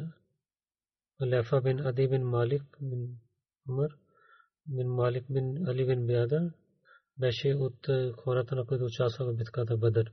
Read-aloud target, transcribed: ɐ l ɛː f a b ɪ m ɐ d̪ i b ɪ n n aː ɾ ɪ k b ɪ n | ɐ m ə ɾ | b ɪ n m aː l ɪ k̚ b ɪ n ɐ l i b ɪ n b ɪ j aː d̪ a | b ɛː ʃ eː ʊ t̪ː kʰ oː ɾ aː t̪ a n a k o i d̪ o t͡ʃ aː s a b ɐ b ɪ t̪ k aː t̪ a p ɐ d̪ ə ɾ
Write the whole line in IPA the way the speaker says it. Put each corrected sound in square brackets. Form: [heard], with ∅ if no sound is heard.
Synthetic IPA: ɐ l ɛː f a b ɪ [n] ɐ d̪ i b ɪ n [m] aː [l] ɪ k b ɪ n | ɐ m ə ɾ | b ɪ n m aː l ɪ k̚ b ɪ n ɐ l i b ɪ n b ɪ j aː d̪ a | b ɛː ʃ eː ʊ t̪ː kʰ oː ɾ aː t̪ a n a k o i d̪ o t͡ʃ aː s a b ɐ b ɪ t̪ k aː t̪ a [b] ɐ d̪ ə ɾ